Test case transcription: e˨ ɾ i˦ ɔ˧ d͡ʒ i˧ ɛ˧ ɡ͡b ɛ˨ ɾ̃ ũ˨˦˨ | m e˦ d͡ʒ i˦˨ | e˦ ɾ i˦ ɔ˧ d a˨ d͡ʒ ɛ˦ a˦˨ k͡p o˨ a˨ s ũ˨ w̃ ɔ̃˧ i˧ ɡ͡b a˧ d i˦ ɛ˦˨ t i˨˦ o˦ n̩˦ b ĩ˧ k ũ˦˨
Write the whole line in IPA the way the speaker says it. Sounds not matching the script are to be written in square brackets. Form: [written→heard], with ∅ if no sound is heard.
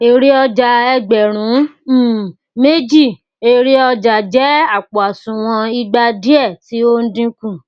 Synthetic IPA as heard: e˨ ɾ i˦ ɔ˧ d͡ʒ [i˧→a˧] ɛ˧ ɡ͡b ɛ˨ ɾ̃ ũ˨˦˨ | m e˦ d͡ʒ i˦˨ | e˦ ɾ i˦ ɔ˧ [d→d͡ʒ] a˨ d͡ʒ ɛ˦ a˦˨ k͡p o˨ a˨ s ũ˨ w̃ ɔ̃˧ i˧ ɡ͡b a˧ d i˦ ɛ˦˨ t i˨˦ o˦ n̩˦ [b→d] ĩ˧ k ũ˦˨

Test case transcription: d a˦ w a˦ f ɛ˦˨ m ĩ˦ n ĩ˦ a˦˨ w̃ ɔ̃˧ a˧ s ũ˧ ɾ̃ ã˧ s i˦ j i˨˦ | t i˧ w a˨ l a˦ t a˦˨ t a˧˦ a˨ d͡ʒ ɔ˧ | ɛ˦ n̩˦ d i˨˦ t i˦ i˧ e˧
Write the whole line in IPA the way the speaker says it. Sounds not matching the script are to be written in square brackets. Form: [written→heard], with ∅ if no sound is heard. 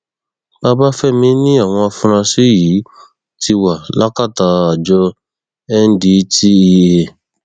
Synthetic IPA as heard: [d→b] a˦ [w→b] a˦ f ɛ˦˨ m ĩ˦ n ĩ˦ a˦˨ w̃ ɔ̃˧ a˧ [s→f] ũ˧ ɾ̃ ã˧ s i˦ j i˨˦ | t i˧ w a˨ l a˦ [t→k] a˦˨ t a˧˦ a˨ d͡ʒ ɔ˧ | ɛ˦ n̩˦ d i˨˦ t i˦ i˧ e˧

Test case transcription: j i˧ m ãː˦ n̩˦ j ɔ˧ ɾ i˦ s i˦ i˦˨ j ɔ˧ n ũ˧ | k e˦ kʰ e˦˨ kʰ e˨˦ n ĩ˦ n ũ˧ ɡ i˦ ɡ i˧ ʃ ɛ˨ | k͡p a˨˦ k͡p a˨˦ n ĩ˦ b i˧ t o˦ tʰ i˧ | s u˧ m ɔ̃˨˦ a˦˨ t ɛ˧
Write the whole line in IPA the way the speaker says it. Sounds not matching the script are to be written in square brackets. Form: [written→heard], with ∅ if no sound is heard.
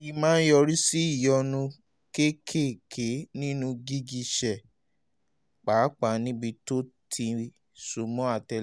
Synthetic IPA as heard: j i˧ m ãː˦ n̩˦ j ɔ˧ ɾ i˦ s i˦ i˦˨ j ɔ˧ n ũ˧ | k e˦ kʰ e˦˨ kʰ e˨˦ n ĩ˦ n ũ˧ ɡ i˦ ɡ i˧ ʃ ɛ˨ | k͡p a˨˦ k͡p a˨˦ n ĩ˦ b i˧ t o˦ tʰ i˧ | s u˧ m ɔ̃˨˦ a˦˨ t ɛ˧

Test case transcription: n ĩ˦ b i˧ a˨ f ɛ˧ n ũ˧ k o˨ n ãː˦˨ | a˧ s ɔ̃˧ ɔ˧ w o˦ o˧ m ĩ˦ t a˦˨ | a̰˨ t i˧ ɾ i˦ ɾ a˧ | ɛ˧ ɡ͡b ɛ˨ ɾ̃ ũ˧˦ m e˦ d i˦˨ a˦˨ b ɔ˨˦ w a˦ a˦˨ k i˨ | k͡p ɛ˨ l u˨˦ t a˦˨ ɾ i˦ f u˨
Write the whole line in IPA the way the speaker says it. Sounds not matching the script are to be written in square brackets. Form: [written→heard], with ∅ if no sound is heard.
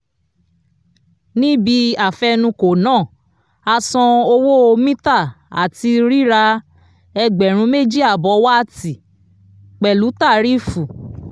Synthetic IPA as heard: n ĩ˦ b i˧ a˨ f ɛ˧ n ũ˧ k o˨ n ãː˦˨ | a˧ s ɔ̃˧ [ɔ˧→o˧] w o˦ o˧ m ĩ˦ t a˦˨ | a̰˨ t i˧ ɾ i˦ ɾ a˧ | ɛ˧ ɡ͡b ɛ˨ ɾ̃ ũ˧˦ m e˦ [d→d͡ʒ] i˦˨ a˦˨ b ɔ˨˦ w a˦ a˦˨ [k→t] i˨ | k͡p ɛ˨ l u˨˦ t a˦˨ ɾ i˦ f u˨

